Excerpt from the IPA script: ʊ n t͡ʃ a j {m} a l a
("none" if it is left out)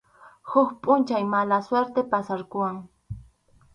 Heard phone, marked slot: m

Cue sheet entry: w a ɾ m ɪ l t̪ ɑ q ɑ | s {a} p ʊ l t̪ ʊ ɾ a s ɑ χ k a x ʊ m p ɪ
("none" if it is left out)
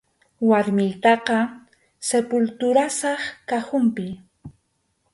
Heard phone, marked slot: e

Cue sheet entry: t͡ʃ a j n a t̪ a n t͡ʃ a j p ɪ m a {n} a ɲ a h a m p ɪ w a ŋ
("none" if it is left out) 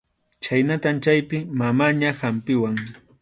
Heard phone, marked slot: m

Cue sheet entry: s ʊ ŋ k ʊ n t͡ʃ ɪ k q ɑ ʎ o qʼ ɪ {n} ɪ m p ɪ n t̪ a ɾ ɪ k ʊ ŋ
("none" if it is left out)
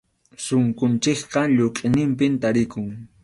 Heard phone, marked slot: n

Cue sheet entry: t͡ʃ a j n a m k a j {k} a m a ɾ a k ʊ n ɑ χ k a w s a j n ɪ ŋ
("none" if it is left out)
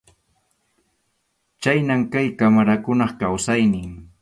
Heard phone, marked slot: k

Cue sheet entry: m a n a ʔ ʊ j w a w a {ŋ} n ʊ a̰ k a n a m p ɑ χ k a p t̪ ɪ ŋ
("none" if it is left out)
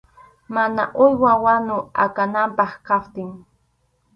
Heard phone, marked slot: none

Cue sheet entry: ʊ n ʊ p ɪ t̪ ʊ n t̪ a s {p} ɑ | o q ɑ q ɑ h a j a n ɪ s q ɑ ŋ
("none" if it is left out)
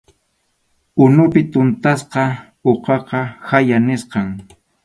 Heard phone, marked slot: q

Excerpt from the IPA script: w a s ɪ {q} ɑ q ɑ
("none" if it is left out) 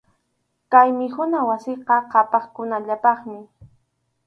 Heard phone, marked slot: q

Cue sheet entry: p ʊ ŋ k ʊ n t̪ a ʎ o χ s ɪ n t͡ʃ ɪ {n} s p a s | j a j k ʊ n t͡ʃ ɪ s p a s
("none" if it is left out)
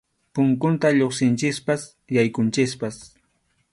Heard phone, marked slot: none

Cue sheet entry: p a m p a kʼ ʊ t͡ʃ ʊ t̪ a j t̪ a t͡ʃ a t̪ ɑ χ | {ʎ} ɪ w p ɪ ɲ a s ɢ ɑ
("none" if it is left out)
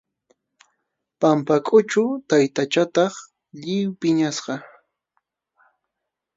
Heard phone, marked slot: ʎ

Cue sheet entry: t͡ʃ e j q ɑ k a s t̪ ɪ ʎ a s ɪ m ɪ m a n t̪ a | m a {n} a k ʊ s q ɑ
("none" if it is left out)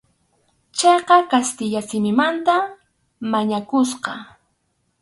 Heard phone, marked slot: ɲ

